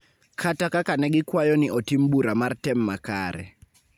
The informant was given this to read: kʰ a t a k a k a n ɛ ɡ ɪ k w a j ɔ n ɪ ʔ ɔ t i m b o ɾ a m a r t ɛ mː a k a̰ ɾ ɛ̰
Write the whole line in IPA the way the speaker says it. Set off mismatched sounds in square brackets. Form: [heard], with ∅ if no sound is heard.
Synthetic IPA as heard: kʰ a t a k a k a n ɛ ɡ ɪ k w a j ɔ n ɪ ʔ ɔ t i m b [u] ɾ a m a r t ɛ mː a k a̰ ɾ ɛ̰